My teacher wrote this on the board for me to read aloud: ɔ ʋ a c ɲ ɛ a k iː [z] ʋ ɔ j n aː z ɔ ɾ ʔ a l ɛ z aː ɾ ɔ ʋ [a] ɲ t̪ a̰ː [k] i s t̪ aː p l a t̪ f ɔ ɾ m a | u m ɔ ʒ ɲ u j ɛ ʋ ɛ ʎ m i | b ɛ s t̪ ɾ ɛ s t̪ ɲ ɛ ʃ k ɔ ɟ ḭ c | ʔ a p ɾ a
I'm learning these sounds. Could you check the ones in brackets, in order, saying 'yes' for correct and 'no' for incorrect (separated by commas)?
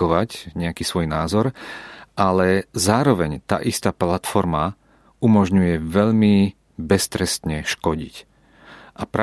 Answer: no, no, no